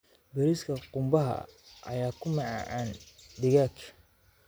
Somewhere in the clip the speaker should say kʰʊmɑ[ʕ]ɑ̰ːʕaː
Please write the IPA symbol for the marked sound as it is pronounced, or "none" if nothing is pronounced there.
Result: ʕ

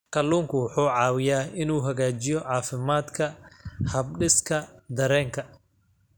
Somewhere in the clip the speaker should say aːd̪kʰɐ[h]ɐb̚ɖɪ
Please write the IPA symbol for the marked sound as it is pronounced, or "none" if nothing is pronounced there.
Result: h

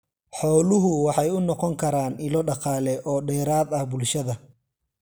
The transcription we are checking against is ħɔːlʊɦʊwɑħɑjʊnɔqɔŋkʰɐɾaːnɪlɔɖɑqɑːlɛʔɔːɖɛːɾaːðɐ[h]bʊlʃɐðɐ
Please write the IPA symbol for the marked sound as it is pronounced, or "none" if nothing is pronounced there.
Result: h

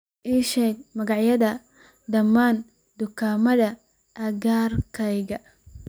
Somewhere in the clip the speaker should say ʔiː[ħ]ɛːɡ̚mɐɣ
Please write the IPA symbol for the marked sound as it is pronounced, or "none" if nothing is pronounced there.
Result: ʃ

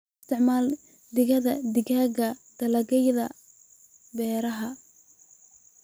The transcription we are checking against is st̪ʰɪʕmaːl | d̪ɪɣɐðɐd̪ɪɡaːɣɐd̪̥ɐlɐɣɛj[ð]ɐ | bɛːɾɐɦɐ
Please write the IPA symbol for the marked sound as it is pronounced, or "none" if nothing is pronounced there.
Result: ð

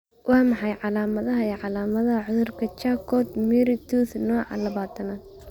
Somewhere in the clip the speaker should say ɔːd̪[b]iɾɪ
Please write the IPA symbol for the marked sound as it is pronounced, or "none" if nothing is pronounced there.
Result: m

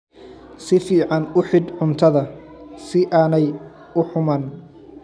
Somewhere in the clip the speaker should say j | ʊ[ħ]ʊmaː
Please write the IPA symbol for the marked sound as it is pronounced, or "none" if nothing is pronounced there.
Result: ħ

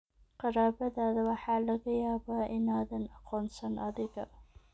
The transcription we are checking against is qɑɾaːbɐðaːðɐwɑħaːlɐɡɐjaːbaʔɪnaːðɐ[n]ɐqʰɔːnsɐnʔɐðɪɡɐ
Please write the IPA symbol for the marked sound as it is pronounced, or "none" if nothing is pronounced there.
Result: n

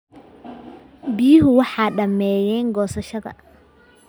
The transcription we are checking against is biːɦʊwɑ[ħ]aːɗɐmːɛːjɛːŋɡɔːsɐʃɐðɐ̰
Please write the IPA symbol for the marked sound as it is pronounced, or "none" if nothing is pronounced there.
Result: ħ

